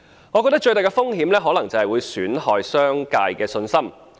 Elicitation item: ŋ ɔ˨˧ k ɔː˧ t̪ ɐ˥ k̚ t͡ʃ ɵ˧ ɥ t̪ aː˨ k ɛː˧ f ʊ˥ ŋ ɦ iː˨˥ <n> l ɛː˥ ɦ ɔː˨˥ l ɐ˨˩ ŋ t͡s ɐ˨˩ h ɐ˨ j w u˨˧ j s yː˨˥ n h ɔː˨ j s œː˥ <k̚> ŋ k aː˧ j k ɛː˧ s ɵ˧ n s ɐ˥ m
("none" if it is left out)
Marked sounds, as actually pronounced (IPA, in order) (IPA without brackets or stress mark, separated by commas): m, none